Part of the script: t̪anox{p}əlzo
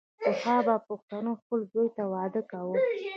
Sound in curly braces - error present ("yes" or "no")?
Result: no